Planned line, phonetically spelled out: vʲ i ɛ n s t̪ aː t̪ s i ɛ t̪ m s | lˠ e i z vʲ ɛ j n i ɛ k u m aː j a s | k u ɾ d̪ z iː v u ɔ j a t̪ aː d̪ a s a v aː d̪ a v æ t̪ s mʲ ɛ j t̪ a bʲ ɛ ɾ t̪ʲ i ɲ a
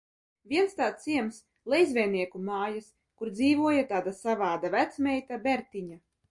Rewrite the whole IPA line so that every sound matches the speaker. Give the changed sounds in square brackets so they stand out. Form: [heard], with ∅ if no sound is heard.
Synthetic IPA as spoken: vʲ i ɛ n s t̪ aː t̪ s i ɛ [∅] m s | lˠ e [j] z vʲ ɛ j n i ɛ k u m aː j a s | k u ɾ d̪ z iː v u ɔ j a t̪ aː d̪ a s a v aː d̪ a v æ t̪ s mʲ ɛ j t̪ a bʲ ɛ ɾ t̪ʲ i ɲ a